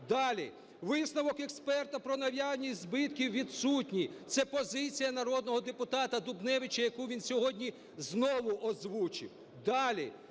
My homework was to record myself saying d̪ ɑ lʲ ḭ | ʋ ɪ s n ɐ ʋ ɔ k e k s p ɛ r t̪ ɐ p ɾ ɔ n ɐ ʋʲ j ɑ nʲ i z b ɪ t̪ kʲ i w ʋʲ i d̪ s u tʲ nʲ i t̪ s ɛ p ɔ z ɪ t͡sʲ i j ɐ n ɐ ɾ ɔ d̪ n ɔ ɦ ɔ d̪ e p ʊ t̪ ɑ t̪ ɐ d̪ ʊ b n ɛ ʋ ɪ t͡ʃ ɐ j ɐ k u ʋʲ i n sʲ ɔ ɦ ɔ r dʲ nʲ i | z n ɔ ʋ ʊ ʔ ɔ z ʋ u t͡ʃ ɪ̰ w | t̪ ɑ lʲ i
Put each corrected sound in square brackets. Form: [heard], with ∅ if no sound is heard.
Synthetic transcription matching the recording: d̪ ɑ lʲ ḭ | ʋ ɪ s n ɐ ʋ ɔ k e k s p ɛ r t̪ ɐ p ɾ ɔ n ɐ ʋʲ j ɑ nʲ i z b ɪ t̪ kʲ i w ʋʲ i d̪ s u tʲ nʲ i t̪ s ɛ p ɔ z ɪ t͡sʲ i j ɐ n ɐ ɾ ɔ d̪ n ɔ ɦ ɔ d̪ e p ʊ t̪ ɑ t̪ ɐ d̪ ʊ b n ɛ ʋ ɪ t͡ʃ ɐ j ɐ k u ʋʲ i n sʲ ɔ ɦ ɔ [∅] dʲ nʲ i | z n ɔ ʋ ʊ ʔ ɔ z ʋ u t͡ʃ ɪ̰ w | [d̪] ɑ lʲ i